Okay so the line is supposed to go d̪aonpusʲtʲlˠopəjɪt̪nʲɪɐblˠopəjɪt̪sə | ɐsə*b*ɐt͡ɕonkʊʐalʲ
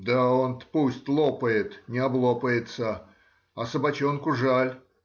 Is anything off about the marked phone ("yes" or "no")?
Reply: no